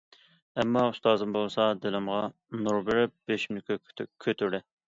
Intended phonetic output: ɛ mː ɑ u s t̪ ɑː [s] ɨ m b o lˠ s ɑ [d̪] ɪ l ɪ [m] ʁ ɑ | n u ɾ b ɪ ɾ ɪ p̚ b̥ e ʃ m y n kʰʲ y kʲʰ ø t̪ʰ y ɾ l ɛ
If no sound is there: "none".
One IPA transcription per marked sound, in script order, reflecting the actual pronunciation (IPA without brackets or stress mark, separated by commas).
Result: z, d̪, m